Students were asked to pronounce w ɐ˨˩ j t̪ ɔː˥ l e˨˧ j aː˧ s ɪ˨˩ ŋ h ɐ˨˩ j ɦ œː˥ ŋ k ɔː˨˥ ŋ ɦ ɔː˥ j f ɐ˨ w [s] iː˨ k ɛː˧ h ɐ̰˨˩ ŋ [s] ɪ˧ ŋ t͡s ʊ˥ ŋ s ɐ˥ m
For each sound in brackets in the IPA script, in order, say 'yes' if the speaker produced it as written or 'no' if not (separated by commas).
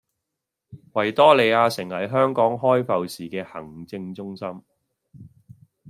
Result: yes, no